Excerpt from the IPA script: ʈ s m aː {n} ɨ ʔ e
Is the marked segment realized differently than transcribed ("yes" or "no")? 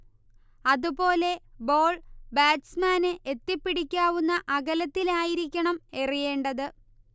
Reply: no